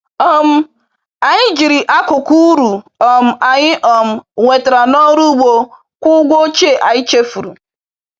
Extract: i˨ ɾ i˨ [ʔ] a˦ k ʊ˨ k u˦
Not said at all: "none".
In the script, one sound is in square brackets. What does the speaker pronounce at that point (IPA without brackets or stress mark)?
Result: ʔ